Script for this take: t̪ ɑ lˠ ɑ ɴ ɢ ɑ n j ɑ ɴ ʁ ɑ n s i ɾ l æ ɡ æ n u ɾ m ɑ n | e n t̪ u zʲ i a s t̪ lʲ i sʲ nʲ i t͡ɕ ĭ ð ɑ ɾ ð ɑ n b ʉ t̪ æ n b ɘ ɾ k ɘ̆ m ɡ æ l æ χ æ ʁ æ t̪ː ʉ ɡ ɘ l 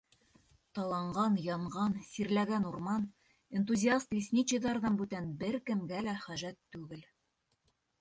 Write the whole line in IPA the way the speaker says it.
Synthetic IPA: t̪ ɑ lˠ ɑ ɴ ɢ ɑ n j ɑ ɴ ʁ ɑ n s i ɾ l æ ɡ æ n u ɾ m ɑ n | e n t̪ u zʲ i a s t̪ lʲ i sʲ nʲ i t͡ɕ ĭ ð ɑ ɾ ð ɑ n b ʉ t̪ æ n b ɘ ɾ k ɘ̆ m ɡ æ l æ χ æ ʒ æ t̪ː ʉ ɡ ɘ l